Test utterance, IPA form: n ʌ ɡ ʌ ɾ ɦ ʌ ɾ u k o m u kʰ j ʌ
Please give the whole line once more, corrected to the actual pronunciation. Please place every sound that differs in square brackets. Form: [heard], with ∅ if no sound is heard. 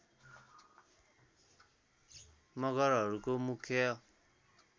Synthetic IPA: [m] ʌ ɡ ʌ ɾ ɦ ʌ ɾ u k o m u kʰ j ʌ